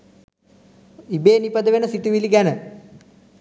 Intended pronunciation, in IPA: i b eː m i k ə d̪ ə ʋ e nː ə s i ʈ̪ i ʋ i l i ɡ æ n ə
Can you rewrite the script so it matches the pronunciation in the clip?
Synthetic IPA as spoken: i b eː n i p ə d̪ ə ʋ e n ə s i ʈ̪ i ʋ i l i ɡ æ n ə